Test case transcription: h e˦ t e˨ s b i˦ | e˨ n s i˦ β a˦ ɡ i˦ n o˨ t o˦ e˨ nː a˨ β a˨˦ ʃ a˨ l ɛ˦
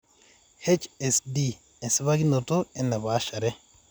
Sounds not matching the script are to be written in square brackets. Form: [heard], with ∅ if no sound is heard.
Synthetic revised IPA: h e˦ [t͡ʃ] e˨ s [d] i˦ | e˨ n s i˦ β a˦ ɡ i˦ n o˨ t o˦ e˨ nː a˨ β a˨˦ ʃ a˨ [ɾ] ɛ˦